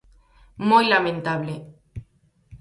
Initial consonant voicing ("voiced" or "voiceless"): voiced